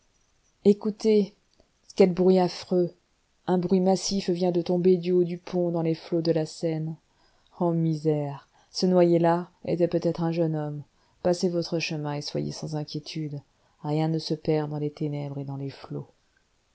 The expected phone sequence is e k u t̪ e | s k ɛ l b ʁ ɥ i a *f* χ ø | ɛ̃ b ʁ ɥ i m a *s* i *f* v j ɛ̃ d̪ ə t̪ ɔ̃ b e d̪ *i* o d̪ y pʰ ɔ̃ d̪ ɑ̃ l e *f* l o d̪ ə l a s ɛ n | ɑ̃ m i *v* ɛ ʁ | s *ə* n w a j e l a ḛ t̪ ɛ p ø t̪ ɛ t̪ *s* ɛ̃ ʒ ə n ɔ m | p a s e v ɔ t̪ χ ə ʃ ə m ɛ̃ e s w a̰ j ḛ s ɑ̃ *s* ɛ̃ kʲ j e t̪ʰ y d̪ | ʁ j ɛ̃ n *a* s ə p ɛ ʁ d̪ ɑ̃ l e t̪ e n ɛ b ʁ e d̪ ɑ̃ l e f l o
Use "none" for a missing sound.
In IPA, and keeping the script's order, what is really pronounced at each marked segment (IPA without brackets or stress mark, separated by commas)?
f, s, f, y, f, z, ə, χ, z, ə